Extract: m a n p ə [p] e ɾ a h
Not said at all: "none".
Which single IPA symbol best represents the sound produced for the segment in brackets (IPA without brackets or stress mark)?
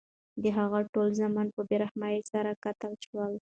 b